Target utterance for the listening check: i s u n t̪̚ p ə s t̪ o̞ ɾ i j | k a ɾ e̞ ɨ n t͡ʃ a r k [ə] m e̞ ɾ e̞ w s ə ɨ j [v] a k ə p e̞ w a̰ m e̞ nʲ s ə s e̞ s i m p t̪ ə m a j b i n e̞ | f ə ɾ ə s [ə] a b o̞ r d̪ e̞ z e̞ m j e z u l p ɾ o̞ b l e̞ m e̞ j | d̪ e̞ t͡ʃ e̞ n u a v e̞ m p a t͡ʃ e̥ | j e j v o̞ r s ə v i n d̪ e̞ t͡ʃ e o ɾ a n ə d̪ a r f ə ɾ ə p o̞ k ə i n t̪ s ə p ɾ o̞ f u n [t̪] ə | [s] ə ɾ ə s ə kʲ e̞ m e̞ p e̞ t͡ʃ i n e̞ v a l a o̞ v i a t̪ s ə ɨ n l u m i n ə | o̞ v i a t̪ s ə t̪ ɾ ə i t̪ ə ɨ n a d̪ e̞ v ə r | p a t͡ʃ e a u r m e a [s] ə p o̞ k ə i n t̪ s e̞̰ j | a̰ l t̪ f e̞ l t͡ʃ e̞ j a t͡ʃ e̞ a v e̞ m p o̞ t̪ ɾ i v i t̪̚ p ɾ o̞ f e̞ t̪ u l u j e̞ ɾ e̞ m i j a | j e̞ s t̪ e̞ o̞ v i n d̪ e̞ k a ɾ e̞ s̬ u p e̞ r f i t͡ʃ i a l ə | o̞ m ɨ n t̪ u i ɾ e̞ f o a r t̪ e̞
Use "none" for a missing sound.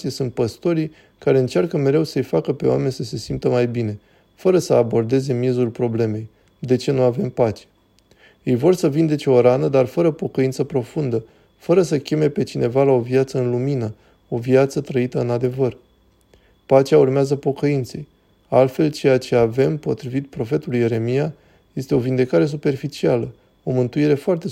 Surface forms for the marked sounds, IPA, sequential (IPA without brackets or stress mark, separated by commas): ə, f, ə, d̪, f, z